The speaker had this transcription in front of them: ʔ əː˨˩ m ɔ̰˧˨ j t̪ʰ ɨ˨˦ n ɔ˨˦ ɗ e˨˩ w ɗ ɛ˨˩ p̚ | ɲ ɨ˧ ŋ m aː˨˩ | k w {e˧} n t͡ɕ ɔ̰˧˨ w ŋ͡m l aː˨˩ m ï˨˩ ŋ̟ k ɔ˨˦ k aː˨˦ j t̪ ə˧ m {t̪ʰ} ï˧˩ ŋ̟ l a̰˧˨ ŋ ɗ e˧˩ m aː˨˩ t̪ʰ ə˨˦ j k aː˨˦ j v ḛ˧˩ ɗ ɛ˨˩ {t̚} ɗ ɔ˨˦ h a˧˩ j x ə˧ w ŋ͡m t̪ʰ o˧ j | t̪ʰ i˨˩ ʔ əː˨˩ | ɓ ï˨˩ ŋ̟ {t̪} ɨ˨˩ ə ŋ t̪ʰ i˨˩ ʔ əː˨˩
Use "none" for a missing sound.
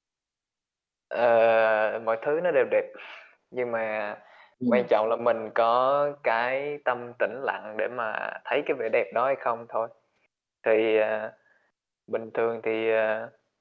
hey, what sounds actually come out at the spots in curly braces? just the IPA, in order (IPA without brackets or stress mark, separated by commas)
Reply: a˧, t̪, p̚, t̪ʰ